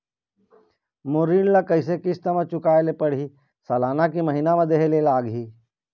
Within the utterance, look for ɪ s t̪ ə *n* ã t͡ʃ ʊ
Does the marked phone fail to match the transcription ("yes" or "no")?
yes